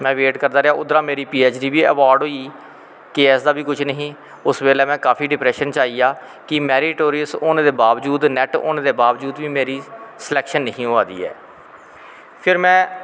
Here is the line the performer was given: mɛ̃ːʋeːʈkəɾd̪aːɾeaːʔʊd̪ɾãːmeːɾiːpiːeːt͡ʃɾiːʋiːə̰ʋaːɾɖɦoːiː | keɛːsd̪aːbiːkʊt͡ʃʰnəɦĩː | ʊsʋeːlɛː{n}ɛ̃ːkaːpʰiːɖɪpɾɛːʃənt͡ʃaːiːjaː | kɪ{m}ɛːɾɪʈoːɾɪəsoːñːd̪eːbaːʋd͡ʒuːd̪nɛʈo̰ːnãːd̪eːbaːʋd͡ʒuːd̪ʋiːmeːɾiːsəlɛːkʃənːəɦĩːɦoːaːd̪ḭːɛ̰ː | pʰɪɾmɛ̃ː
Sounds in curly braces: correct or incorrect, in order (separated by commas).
incorrect, correct